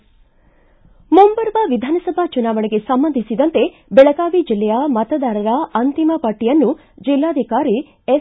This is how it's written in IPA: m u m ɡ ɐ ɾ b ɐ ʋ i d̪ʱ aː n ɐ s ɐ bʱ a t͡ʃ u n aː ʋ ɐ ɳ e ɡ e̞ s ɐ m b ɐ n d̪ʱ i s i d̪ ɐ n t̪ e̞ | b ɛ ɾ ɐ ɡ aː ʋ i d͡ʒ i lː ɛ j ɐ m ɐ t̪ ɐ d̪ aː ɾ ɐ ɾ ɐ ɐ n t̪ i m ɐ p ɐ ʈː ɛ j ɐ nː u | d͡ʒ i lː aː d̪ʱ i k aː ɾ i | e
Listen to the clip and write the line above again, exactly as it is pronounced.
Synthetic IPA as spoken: m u m b ɐ ɾ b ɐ ʋ i d̪ʱ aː n ɐ s ɐ bʱ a t͡ʃ u n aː ʋ ɐ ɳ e ɡ e̞ s ɐ m b ɐ n d̪ʱ i s i d̪ ɐ n t̪ e̞ | b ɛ ɭ ɐ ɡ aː ʋ i d͡ʒ i lː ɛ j ɐ m ɐ t̪ ɐ d̪ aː ɾ ɐ ɾ ɐ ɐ n t̪ i m ɐ p ɐ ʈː i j ɐ nː u | d͡ʒ i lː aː d̪ʱ i k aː ɾ i | e